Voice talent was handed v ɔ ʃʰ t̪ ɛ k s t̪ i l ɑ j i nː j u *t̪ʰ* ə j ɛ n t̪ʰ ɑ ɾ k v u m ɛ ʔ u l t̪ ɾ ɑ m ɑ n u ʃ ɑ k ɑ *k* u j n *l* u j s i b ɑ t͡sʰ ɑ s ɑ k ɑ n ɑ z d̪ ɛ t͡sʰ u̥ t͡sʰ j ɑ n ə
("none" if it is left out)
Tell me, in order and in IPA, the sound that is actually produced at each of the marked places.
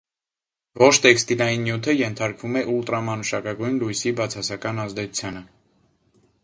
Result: t̪ʰ, ɡ, l

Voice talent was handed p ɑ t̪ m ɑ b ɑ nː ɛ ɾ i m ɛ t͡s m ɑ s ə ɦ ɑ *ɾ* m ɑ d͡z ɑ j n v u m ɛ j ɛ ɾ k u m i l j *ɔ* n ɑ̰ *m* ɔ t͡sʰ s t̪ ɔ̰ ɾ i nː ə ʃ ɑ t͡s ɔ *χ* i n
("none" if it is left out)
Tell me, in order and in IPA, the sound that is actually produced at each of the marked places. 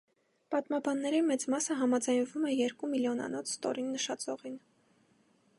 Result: none, ɔ, n, ʁ

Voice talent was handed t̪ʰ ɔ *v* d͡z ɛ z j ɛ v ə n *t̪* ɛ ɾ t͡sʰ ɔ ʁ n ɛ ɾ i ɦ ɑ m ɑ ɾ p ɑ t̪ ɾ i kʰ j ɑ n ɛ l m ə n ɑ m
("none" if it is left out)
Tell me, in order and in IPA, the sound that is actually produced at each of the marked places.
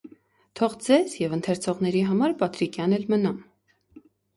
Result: ʁ, t̪ʰ

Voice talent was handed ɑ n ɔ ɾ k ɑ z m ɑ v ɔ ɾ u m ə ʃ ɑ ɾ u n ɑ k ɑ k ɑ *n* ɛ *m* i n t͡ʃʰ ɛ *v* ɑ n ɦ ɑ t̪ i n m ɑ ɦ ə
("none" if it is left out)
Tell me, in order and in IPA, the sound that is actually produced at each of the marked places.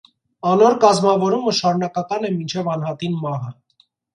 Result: n, m, v

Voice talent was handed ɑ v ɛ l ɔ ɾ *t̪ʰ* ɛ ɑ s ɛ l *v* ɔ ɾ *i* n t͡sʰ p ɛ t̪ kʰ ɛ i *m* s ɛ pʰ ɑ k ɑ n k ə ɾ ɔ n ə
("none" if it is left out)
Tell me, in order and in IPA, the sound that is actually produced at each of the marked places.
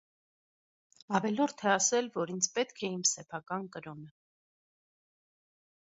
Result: t̪ʰ, v, i, m

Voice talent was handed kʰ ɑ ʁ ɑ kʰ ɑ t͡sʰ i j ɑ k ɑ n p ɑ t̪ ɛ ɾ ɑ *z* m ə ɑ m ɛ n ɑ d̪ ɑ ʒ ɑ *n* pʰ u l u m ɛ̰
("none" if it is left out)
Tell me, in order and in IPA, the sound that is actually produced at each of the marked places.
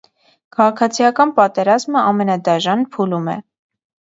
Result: z, n

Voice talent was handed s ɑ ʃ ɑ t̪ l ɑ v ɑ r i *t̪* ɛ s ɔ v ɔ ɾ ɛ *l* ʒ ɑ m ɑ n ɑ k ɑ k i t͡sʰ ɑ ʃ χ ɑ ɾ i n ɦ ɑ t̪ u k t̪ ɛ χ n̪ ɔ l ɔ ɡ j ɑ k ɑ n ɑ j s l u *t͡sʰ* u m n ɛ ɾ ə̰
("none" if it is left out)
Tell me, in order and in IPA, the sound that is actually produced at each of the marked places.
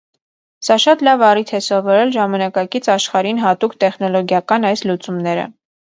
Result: t̪ʰ, l, t͡s

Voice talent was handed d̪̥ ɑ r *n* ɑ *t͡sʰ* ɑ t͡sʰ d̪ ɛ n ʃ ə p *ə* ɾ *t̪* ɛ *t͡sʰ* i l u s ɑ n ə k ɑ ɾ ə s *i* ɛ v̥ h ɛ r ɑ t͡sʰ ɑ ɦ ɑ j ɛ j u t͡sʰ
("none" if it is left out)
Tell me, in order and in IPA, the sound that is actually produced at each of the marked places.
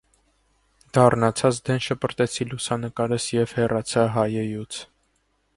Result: n, t͡sʰ, ə, t̪, t͡sʰ, j

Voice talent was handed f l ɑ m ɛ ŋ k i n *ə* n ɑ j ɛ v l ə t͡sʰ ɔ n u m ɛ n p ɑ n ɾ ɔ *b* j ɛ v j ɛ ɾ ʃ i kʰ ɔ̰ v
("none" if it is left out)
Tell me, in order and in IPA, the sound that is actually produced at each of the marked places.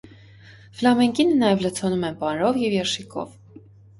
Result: ə, v

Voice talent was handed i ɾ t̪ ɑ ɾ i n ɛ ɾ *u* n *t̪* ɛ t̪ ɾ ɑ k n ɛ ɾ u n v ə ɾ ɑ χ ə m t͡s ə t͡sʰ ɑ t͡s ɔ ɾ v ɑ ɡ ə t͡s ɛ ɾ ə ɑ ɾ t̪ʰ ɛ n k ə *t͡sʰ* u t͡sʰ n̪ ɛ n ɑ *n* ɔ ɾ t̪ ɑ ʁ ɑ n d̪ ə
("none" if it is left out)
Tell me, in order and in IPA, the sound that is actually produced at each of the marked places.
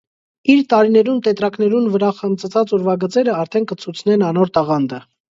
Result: u, t̪, t͡sʰ, n

